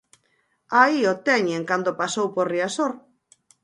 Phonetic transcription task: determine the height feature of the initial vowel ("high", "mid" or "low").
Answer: low